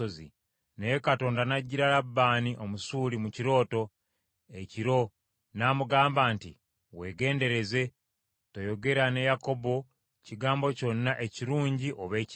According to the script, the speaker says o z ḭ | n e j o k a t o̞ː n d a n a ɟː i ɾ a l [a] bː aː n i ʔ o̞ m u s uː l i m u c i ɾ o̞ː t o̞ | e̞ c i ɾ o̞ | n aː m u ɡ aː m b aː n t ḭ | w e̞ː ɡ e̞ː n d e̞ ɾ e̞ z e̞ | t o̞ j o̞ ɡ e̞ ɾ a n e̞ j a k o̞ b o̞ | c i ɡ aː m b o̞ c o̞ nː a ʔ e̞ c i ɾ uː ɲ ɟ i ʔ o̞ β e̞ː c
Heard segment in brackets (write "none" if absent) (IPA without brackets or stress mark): a